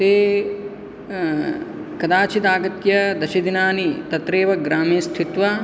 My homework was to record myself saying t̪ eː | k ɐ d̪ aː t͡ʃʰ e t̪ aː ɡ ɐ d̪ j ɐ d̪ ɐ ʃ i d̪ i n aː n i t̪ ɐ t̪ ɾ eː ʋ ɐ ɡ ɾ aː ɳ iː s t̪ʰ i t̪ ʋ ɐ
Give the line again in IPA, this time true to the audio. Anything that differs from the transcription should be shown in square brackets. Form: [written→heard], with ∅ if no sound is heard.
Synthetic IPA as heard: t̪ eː | k ɐ d̪ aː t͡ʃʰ [e→i] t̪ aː ɡ ɐ [d̪→t̪] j ɐ d̪ ɐ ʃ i d̪ i n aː n i t̪ ɐ t̪ ɾ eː ʋ ɐ ɡ ɾ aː [ɳ→m] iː s t̪ʰ i t̪ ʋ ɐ